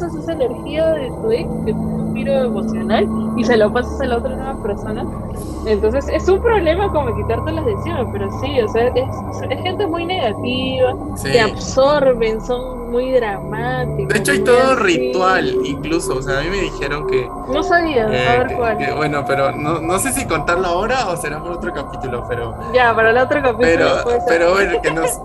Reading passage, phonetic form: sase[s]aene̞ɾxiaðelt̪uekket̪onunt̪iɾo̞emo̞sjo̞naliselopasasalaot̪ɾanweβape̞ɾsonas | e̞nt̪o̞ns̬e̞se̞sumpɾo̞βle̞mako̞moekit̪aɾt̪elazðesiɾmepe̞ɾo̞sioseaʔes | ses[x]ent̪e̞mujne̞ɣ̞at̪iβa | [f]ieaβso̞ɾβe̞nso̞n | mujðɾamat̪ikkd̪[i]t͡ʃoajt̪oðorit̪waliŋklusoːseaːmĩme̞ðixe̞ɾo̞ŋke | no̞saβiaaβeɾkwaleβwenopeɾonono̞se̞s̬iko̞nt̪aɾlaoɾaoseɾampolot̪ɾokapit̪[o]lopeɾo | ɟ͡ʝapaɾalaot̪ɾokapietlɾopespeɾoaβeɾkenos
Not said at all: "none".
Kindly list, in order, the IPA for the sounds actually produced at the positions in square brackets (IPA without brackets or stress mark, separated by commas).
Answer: s, x, s, e, u